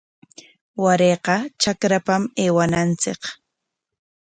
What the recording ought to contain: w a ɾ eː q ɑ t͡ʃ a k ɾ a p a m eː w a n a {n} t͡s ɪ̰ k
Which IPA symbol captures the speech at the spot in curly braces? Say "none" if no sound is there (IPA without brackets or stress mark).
n